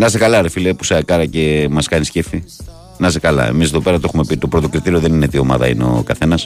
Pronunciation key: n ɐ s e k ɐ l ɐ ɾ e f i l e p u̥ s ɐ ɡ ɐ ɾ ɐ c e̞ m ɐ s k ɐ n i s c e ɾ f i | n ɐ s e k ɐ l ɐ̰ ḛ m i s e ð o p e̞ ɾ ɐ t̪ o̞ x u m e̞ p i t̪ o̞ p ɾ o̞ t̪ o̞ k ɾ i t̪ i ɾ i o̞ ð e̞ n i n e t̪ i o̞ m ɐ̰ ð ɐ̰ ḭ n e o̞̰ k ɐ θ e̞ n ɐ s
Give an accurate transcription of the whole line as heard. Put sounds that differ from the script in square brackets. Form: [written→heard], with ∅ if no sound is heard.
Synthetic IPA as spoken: n ɐ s e k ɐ l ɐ ɾ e f i l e p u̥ s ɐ [ɡ→k] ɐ ɾ ɐ c e̞ m ɐ s k ɐ n i s c e [ɾ→∅] f i | n ɐ s e k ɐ l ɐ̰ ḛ m i s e ð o p e̞ ɾ ɐ t̪ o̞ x u m e̞ p i t̪ o̞ p ɾ o̞ t̪ o̞ k ɾ i t̪ i ɾ i o̞ ð e̞ n i n e t̪ i o̞ m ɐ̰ ð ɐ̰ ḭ n e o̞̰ k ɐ θ e̞ n ɐ s